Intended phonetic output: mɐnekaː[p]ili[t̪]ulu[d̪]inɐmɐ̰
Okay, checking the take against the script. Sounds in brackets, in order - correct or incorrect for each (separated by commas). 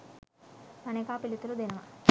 correct, correct, correct